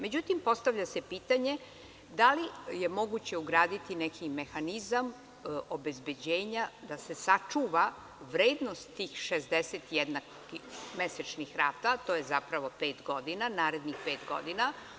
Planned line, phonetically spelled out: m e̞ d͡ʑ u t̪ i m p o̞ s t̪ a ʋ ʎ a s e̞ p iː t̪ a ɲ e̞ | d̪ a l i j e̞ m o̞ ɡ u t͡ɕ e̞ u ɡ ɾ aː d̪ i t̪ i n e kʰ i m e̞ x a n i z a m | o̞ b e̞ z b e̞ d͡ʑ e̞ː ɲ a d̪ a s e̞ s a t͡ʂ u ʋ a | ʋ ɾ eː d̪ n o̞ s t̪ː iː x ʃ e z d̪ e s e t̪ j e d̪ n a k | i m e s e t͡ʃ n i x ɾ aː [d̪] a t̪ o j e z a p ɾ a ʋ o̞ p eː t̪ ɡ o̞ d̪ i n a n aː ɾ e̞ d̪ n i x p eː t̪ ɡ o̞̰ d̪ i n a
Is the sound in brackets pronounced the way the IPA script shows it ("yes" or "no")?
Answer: no